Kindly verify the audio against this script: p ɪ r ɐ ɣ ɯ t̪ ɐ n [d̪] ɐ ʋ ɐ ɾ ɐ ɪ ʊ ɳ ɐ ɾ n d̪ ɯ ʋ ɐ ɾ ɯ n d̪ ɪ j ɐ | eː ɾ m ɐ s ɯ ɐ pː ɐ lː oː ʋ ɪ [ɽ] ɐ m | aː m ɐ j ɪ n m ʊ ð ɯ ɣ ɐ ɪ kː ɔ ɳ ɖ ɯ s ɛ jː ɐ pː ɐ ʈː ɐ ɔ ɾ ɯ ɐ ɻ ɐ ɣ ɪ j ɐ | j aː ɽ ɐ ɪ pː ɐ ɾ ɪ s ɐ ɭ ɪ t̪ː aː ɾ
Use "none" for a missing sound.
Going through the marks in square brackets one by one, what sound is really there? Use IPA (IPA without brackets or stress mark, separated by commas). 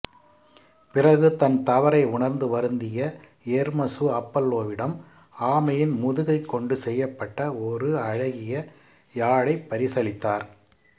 t̪, ɽ